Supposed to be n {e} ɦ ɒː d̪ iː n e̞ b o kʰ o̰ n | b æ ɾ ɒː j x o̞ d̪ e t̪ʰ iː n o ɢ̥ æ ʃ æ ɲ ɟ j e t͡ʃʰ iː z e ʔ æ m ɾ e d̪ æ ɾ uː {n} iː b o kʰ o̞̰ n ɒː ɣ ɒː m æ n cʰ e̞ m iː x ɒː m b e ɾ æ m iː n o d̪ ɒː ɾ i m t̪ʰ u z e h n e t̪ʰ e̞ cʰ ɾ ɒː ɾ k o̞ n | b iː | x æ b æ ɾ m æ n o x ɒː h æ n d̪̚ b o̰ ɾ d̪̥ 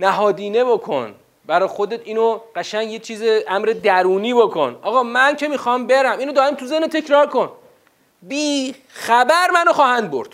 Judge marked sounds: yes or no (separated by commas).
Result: no, yes